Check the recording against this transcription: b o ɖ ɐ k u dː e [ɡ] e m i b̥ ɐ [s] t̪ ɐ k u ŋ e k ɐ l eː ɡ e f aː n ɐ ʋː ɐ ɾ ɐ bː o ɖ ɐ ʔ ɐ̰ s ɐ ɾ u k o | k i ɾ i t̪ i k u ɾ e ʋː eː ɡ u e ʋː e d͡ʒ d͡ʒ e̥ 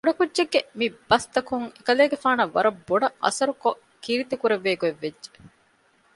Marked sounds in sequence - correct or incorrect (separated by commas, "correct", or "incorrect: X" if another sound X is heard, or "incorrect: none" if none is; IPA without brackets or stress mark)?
incorrect: ɡː, correct